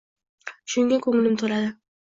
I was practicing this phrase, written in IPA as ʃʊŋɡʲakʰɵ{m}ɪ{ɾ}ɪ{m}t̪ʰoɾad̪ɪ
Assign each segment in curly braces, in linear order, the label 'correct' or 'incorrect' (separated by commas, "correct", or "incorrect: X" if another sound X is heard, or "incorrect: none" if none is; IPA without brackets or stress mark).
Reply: incorrect: ŋ, incorrect: l, correct